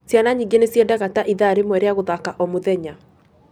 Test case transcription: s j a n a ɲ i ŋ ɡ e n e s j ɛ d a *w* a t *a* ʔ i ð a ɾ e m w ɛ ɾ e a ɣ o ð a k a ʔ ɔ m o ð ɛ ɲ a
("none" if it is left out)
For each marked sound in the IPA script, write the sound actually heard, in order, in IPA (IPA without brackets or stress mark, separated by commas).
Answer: ɣ, a